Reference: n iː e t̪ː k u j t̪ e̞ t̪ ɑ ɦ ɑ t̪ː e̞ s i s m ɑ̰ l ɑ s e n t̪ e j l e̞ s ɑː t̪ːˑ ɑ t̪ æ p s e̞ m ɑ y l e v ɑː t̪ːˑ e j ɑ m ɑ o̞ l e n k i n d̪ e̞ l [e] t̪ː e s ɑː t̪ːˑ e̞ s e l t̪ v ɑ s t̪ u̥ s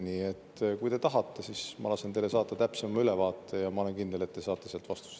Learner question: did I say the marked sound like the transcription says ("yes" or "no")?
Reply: yes